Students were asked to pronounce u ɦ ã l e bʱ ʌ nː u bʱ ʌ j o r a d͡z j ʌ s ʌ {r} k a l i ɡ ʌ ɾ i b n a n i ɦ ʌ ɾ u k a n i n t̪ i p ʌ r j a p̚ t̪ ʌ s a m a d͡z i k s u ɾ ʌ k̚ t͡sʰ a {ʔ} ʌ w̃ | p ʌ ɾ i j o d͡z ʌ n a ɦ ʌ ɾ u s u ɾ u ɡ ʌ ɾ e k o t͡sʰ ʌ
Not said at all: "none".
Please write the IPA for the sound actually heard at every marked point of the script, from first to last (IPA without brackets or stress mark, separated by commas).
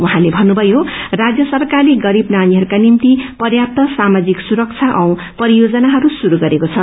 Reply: r, ʔ